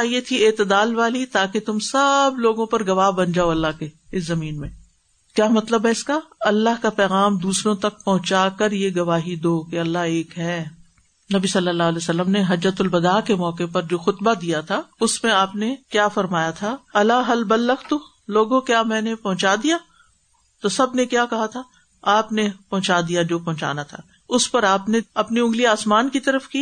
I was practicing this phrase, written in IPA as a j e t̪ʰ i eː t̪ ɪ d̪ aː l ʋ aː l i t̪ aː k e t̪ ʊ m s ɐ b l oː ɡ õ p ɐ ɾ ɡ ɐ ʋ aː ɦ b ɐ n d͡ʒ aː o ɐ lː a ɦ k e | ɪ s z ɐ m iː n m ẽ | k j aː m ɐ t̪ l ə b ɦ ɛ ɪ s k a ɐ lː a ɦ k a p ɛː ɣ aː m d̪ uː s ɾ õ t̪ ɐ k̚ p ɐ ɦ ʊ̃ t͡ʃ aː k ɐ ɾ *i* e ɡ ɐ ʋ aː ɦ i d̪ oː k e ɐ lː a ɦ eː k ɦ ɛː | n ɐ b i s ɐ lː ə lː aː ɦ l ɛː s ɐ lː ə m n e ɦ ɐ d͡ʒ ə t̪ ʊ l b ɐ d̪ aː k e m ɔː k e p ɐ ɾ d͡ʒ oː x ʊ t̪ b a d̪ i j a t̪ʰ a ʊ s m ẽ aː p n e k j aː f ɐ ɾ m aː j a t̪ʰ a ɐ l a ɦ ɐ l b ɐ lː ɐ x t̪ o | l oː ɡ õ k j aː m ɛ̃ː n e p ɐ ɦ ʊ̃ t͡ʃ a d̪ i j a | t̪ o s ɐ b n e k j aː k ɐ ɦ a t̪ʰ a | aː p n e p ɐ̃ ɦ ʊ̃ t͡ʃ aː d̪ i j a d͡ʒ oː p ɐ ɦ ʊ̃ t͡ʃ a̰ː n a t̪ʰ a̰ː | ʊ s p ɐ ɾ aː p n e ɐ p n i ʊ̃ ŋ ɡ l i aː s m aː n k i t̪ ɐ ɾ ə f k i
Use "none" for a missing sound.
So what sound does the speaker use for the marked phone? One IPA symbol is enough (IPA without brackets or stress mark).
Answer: j